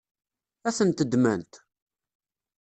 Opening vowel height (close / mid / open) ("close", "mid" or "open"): open